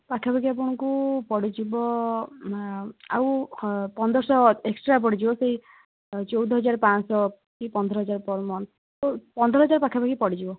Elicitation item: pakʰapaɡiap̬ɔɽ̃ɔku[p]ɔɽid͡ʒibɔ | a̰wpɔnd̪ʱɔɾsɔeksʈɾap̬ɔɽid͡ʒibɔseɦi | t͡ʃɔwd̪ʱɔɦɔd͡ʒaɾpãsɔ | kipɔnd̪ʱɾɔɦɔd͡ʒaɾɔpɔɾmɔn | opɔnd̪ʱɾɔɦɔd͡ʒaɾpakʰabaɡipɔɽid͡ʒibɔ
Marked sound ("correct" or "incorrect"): correct